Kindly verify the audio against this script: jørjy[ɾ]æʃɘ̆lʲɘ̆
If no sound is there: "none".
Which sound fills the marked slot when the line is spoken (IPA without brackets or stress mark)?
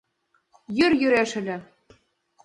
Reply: ɾ